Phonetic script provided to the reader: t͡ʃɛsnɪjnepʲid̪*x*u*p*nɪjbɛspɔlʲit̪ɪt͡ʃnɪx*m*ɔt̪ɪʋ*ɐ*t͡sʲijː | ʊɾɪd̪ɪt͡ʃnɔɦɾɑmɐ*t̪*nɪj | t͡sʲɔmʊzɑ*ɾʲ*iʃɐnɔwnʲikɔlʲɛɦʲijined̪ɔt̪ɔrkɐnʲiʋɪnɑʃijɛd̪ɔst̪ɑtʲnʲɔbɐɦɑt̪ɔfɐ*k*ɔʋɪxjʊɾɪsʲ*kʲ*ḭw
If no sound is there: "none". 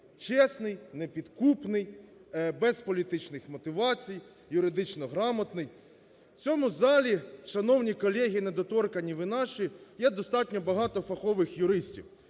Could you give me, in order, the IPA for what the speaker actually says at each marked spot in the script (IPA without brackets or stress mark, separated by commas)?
k, p, m, ɑ, t̪, lʲ, x, tʲ